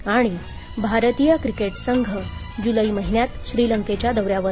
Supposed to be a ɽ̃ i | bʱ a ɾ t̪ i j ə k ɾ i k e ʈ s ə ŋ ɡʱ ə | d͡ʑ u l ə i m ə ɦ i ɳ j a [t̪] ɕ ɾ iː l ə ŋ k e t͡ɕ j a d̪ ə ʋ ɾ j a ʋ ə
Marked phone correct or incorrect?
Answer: correct